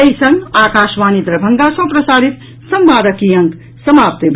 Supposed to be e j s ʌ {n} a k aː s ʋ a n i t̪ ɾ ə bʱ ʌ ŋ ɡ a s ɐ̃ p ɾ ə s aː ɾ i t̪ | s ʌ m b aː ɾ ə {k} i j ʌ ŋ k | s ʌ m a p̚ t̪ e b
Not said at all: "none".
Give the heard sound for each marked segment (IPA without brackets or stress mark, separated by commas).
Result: ŋ, k